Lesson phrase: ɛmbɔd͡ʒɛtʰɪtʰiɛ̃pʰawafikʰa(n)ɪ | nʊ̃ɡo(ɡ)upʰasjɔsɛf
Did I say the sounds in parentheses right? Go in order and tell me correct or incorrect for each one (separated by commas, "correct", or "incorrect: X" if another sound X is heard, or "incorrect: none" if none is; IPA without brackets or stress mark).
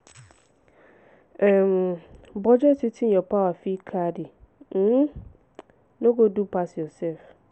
incorrect: d, incorrect: d